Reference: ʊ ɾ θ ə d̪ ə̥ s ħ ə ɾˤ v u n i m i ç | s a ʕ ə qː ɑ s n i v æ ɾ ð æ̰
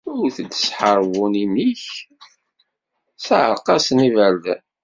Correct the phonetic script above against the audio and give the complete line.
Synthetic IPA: ʊ ɾ θ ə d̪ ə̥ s ħ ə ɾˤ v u n i m i ç | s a ʕ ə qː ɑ s n i v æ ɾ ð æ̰

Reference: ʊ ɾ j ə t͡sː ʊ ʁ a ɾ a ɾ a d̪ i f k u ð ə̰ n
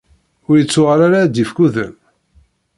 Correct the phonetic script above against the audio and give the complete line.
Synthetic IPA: ʊ ɾ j ə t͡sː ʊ ʁ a ɾ a ɾ a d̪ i f k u ð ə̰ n

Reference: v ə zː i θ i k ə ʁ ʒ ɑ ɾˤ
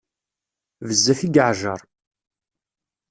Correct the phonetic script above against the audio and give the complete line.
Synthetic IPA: v ə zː æ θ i ɡ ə ʕ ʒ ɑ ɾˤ

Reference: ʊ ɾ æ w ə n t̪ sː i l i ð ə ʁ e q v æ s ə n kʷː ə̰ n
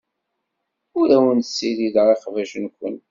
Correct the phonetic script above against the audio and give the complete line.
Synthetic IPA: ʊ ɾ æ w ə n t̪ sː i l i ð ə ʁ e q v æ ʃ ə n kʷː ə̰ n

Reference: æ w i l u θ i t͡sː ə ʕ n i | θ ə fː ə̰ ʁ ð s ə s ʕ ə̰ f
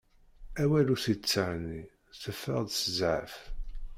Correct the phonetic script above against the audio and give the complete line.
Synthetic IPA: æ w æ l u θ i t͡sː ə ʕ n i | θ ə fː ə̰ ʁ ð s ə z ʕ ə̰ f

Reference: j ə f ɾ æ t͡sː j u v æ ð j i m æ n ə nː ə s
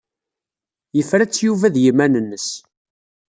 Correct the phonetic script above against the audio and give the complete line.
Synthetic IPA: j ə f ɾ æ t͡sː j u v æ ð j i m æ n ə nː ə s

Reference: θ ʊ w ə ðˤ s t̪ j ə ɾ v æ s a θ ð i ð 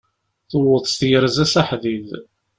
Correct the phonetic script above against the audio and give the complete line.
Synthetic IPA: θ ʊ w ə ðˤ s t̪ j ə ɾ z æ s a ħ ð i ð

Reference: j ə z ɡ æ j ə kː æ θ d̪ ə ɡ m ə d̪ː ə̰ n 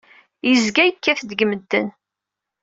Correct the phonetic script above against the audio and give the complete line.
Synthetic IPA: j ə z ɡ æ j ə kː æ θ d̪ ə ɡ m ə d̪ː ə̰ n

